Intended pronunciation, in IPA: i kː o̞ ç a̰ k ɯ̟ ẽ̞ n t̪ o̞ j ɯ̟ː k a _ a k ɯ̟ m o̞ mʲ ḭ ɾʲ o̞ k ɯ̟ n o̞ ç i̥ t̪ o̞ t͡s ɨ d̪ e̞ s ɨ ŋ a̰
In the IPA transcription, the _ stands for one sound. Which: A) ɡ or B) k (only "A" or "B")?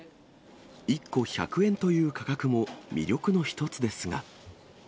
B